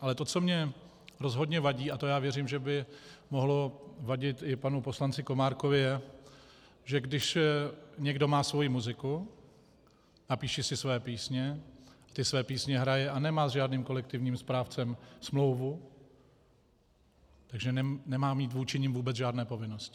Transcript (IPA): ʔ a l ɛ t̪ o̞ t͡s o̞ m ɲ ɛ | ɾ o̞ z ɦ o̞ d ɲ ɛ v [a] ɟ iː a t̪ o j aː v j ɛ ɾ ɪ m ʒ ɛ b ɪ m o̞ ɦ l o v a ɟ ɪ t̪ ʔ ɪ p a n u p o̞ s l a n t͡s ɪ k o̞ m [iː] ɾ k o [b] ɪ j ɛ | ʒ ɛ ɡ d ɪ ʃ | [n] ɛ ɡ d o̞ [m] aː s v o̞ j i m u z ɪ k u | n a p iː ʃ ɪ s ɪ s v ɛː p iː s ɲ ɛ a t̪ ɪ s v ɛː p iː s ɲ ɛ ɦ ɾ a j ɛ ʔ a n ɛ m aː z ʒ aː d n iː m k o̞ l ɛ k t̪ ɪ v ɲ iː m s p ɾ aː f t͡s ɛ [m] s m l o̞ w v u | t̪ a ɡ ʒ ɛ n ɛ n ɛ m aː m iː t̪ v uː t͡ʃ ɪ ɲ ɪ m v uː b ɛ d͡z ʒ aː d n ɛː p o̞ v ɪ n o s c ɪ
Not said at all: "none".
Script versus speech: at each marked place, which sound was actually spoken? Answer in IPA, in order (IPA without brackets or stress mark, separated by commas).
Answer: a, aː, v, ɲ, m, m